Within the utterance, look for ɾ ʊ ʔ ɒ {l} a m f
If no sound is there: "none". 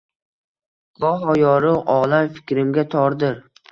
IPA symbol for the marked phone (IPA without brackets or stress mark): l